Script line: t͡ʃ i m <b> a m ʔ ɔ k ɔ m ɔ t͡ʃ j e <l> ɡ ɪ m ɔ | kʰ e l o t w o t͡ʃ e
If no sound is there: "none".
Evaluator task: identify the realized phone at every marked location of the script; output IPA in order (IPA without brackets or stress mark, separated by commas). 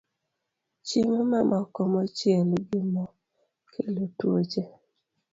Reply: m, l